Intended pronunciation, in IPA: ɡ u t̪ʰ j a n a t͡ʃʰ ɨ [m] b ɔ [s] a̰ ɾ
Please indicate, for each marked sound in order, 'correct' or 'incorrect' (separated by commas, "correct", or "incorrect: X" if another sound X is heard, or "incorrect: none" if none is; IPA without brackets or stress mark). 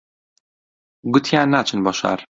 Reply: incorrect: n, incorrect: ʃ